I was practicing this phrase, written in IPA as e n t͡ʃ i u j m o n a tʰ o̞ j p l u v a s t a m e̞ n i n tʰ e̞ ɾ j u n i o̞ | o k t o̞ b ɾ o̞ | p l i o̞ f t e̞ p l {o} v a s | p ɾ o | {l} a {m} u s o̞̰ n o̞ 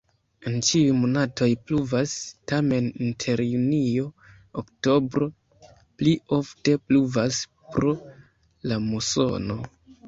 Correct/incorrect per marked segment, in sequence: incorrect, correct, correct

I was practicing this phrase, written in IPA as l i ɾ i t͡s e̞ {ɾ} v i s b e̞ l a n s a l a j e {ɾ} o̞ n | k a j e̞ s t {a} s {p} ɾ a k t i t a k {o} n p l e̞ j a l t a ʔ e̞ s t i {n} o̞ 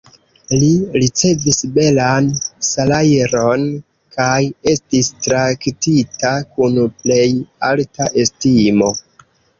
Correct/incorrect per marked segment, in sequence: incorrect, correct, incorrect, incorrect, incorrect, incorrect

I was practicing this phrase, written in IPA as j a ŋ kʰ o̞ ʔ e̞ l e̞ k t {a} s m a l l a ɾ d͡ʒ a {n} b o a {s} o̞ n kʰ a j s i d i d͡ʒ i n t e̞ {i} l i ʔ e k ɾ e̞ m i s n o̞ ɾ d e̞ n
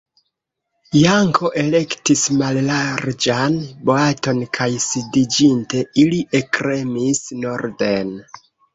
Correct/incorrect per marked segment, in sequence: incorrect, correct, incorrect, correct

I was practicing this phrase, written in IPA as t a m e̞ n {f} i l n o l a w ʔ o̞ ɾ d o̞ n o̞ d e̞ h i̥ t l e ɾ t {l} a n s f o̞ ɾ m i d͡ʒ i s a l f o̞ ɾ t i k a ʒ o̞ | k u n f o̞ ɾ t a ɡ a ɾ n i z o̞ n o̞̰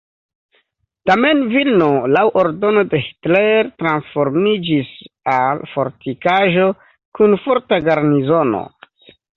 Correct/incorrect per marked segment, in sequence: incorrect, incorrect

